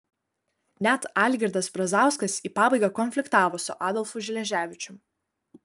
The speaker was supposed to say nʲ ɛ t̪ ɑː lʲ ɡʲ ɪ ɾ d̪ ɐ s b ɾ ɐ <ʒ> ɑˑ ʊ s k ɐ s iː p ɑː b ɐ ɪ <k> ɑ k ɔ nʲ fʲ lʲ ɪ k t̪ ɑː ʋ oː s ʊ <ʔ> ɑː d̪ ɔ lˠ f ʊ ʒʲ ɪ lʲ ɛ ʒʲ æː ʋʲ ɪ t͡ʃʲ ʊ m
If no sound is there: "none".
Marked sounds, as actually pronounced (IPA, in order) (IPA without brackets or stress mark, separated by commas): z, ɡ, ʔ